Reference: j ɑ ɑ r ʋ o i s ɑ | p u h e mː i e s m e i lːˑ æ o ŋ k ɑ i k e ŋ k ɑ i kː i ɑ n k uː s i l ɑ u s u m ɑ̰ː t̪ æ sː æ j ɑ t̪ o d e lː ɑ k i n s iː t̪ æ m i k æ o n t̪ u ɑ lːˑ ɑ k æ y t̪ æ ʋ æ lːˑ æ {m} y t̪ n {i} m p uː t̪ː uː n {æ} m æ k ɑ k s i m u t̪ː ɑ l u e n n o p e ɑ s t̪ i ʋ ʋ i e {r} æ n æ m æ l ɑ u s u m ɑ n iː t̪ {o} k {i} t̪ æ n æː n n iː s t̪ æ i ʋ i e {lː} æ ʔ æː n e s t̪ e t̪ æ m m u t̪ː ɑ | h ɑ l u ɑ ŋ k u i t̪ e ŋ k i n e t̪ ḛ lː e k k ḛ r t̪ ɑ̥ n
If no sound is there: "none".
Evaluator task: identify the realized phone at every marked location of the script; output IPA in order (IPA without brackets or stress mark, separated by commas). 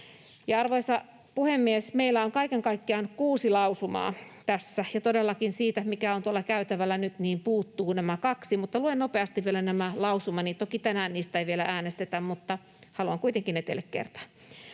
n, iː, æ, l, o, i, l